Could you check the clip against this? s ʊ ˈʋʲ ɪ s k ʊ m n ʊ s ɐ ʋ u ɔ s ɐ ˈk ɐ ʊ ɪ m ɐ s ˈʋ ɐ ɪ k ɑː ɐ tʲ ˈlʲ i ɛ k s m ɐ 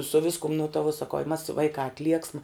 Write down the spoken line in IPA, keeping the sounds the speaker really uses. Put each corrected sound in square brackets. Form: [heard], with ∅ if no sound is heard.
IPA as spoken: s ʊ ˈʋʲ ɪ s k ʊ m n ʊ [t] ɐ ʋ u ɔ s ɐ ˈk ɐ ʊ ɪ m ɐ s ˈʋ ɐ ɪ k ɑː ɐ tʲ ˈlʲ i ɛ k s m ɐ